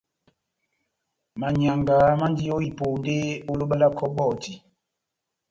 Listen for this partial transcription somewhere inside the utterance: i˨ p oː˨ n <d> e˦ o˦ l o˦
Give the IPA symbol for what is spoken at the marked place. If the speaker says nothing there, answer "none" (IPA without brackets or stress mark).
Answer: d